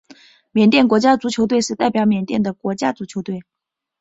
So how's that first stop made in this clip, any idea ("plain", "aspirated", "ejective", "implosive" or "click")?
plain